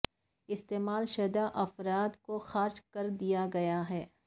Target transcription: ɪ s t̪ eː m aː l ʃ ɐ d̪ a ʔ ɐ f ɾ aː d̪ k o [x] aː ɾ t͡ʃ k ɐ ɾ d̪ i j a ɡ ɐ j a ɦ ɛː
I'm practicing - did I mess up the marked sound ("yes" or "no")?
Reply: no